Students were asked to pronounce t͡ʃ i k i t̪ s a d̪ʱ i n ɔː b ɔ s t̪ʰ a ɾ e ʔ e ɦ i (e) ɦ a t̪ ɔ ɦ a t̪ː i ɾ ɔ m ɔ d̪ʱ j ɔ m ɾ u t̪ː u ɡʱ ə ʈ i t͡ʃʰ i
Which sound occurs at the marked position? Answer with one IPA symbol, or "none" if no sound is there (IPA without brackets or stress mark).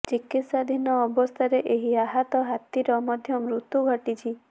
a